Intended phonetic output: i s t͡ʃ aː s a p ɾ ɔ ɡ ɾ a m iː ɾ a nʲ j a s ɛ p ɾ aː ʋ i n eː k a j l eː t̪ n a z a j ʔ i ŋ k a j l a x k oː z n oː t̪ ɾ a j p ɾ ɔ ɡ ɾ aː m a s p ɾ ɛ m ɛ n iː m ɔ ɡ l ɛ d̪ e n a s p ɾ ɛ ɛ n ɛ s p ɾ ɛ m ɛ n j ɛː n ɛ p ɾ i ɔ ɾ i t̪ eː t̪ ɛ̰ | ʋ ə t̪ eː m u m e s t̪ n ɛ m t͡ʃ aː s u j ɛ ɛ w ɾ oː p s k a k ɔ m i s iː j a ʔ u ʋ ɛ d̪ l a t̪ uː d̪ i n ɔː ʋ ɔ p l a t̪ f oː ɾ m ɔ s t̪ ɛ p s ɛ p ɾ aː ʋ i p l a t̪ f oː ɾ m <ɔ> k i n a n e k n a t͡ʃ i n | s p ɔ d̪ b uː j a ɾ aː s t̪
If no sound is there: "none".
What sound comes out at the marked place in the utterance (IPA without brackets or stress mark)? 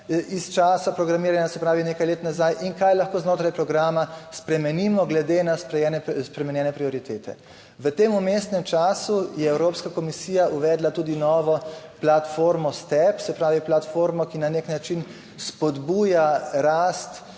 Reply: ɔ